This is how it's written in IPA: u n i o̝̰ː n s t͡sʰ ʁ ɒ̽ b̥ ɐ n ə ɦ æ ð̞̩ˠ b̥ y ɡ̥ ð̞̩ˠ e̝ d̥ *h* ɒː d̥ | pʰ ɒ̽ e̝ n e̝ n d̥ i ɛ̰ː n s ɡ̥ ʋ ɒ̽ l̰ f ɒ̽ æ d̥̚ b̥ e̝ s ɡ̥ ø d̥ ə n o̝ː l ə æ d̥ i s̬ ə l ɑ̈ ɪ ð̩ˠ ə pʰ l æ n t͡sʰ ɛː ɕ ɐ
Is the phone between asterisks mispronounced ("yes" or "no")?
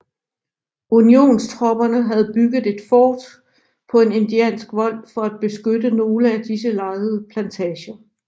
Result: yes